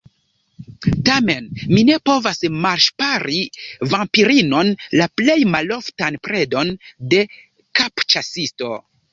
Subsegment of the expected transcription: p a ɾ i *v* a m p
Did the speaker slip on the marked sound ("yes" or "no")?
no